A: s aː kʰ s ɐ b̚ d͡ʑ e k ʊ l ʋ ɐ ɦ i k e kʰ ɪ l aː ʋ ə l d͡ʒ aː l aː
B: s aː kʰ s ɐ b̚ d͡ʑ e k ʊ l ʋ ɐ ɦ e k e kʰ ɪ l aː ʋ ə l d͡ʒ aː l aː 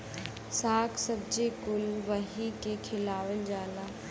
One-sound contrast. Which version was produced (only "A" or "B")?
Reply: A